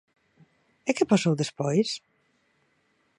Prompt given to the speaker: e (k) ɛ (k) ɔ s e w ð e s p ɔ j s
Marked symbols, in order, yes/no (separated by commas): yes, no